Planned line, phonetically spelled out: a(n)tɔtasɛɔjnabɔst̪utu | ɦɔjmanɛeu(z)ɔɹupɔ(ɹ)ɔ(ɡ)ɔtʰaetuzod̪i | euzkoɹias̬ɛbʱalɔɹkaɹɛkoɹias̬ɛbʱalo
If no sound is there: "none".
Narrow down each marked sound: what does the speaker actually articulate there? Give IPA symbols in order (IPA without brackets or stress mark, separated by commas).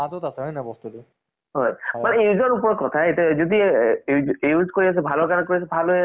none, z, ɹ, k